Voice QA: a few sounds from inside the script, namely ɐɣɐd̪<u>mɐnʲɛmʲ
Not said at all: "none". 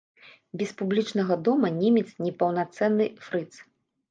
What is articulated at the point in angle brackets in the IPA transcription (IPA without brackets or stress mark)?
ɔ